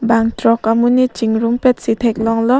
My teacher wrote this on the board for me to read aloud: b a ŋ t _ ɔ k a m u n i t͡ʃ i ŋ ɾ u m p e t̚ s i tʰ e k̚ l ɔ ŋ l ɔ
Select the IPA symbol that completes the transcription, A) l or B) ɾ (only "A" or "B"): B